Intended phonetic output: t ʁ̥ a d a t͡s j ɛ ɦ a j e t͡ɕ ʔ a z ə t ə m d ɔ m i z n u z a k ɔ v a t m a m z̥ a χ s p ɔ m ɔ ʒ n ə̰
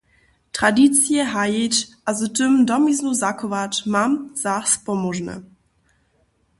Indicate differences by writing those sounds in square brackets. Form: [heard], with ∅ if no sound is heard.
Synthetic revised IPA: t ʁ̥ a d [i] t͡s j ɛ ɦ a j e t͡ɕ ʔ a z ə t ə m d ɔ m i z n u z a k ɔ v a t m a m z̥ a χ s p ɔ m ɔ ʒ n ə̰